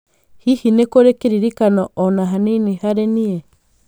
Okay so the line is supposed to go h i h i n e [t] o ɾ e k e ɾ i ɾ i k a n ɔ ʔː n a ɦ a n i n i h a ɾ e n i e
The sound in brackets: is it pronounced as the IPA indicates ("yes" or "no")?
no